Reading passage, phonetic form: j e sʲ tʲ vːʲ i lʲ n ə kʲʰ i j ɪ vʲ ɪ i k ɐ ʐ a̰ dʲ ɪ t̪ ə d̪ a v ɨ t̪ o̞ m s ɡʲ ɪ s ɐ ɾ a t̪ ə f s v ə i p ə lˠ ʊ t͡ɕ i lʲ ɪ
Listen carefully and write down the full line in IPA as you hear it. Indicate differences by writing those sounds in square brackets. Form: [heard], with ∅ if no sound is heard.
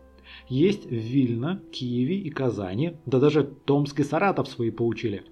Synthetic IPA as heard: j e sʲ tʲ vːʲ i lʲ n ə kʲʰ i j ɪ vʲ ɪ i k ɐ [z] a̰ [nʲ] ɪ [d̪] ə d̪ a [ʐ] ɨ t̪ o̞ m s [kʲ] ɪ s ɐ ɾ a t̪ ə f s v [ɐ] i p ə lˠ ʊ t͡ɕ i lʲ ɪ